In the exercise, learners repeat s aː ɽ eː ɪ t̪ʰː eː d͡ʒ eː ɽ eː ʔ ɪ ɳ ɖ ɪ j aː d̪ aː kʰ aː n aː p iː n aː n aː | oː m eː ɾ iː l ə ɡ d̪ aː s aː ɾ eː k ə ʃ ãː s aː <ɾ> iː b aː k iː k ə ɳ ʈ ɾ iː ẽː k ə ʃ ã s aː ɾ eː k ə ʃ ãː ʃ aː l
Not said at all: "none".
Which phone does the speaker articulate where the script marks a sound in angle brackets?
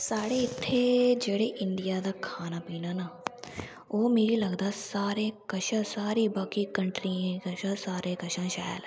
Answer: ɾ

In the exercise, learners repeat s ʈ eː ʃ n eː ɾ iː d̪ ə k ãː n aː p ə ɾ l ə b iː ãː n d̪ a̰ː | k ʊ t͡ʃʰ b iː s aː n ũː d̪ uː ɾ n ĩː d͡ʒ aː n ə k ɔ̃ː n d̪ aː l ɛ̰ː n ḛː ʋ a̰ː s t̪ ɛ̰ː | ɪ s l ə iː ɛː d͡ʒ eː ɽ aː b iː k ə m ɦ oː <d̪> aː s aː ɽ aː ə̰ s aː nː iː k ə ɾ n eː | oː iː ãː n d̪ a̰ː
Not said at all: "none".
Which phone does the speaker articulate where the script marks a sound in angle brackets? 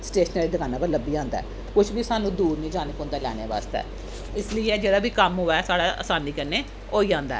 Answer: none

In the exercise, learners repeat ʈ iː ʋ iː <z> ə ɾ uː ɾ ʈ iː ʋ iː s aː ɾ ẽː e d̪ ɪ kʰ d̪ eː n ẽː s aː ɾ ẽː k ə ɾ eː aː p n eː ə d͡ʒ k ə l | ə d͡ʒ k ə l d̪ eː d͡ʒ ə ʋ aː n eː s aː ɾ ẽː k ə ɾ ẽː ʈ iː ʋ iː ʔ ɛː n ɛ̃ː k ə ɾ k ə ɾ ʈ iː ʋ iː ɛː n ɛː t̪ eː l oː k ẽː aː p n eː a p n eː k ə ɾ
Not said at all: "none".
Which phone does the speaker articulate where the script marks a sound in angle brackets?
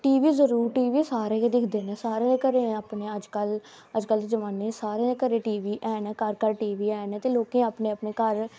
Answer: z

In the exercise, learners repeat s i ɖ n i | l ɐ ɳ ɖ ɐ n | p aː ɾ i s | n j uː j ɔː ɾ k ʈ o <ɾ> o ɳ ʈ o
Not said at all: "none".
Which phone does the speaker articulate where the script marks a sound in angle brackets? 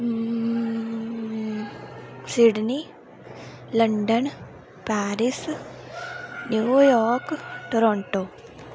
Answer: ɾ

